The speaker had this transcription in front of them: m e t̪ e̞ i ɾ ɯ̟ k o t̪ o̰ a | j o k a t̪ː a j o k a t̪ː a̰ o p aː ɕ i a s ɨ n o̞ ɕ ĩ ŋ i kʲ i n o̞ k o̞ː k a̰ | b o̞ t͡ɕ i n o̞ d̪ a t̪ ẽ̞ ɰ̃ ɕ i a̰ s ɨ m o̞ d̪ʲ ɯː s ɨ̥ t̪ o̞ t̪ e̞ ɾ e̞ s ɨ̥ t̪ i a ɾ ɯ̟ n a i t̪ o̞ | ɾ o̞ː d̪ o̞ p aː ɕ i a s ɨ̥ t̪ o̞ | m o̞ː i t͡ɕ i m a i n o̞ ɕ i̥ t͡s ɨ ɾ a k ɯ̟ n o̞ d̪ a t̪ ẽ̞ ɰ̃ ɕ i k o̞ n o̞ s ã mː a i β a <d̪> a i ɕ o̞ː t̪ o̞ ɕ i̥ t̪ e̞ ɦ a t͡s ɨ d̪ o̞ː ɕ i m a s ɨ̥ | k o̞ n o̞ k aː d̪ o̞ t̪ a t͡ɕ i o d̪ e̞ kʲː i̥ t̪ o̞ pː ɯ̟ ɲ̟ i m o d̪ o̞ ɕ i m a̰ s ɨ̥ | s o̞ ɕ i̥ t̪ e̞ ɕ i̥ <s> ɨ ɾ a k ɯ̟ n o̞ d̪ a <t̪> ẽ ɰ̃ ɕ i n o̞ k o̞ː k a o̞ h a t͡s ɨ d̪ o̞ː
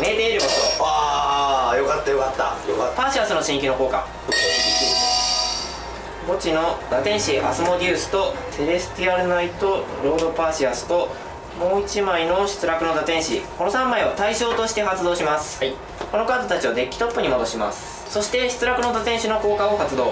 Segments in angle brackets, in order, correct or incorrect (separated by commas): incorrect, incorrect, correct